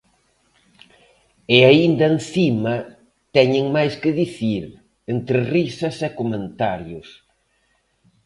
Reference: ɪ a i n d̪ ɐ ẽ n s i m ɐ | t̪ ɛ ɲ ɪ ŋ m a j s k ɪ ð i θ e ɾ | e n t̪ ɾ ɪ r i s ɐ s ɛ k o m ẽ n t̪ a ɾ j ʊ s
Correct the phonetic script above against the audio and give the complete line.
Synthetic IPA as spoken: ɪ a i n d̪ ɐ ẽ n θ i m ɐ | t̪ ɛ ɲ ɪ ŋ m a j s k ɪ ð i θ i ɾ | e n t̪ ɾ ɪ r i s ɐ s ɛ k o m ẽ n t̪ a ɾ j ʊ s